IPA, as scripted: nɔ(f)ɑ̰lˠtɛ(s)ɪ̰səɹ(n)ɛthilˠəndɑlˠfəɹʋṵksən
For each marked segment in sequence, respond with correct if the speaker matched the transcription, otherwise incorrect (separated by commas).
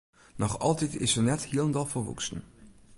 incorrect, incorrect, correct